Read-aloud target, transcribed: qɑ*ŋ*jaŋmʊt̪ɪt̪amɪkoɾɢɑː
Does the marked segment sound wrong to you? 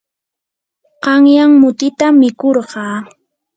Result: no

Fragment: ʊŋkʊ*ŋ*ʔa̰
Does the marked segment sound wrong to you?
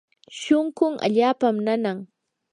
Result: no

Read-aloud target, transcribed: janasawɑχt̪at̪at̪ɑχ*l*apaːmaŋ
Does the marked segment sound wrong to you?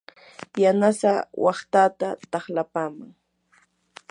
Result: no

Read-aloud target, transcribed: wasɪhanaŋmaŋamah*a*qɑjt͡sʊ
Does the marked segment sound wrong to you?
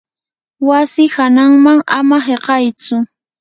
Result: yes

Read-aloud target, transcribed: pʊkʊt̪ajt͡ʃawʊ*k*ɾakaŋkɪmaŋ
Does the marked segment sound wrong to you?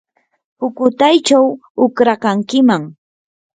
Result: no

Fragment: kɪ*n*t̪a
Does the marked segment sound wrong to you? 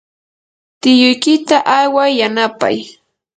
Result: yes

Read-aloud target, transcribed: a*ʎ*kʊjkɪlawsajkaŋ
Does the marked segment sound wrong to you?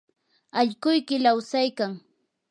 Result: no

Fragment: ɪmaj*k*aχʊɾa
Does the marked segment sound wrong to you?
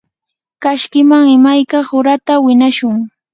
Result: no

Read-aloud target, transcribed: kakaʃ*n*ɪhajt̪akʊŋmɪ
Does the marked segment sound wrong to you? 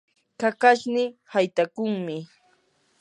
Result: no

